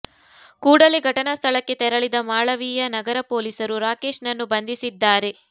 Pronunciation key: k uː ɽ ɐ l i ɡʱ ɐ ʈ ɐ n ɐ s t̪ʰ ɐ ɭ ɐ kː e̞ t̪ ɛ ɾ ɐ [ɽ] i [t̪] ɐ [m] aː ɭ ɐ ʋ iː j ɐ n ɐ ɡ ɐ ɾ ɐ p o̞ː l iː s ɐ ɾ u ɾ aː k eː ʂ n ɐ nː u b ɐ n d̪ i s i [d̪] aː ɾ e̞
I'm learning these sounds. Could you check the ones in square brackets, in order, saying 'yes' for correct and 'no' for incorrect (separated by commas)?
no, no, yes, no